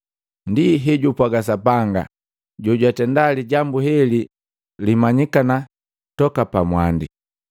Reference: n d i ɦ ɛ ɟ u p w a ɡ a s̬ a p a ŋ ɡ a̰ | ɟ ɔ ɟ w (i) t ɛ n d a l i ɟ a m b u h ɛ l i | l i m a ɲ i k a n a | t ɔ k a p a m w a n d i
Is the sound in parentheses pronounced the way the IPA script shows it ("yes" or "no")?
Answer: no